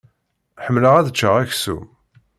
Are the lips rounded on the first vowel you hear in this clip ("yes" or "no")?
no